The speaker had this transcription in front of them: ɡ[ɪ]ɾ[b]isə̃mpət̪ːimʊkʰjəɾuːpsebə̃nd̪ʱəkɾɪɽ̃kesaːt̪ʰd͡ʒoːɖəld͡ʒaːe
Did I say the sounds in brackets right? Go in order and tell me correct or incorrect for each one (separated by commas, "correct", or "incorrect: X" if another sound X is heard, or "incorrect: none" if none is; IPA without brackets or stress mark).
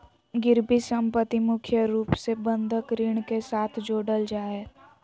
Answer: correct, correct